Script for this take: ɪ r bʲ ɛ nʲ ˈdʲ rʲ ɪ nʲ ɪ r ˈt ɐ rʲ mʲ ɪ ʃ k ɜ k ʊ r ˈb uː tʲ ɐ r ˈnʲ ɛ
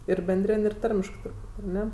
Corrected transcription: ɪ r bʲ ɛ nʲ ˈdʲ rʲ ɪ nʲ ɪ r ˈt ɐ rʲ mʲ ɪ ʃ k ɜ t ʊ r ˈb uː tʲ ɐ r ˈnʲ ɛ